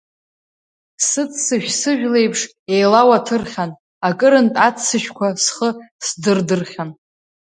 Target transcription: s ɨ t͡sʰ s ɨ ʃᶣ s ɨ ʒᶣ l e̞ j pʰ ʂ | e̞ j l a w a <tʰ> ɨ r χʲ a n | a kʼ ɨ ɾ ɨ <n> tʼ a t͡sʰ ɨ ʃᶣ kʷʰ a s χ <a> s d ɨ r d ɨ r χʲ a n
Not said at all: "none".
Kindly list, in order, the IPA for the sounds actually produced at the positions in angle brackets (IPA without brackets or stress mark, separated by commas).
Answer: tʰ, n, ə